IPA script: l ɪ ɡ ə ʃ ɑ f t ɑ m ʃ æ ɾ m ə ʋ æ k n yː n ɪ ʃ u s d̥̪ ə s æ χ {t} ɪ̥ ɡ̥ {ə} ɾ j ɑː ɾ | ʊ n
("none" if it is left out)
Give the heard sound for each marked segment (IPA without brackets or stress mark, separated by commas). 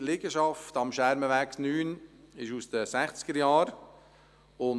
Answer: t͡s, ə